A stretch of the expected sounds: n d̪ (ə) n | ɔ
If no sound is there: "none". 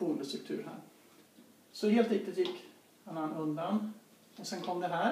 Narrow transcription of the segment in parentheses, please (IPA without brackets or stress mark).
a